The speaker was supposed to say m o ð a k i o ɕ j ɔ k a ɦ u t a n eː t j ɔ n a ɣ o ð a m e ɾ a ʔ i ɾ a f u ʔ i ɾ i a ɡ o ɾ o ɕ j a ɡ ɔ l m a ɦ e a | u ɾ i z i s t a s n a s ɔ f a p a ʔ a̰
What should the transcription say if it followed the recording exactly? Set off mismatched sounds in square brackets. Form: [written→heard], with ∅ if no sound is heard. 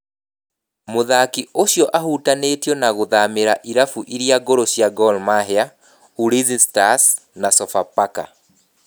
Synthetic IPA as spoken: m o ð a k i o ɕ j ɔ [k→ʔ] a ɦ u t a n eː t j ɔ n a ɣ o ð a m e ɾ a ʔ i ɾ a f u ʔ i ɾ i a ɡ o ɾ o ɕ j a ɡ ɔ l m a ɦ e a | u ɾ i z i s t a s n a s ɔ f a p a [ʔ→k] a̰